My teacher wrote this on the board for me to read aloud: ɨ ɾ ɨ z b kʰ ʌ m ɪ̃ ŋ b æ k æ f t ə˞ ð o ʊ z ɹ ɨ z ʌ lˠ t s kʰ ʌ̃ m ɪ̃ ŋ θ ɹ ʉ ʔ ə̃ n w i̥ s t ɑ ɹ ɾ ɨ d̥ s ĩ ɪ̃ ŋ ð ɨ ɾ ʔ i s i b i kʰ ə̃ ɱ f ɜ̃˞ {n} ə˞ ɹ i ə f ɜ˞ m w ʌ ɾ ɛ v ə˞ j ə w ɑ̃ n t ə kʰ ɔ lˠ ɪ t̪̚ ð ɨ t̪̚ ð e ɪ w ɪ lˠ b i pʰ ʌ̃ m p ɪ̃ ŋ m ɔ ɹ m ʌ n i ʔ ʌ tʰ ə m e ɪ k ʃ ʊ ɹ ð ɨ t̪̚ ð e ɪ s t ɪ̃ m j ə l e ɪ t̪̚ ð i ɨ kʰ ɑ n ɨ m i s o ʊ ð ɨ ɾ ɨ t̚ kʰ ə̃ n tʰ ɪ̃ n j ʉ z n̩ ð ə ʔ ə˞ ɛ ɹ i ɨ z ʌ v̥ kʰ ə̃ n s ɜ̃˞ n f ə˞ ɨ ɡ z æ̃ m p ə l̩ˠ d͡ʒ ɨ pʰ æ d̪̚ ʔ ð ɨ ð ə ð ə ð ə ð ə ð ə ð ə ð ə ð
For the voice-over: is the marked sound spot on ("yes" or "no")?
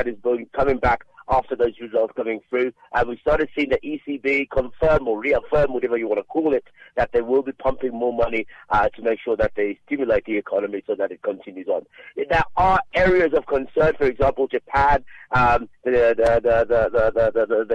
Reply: no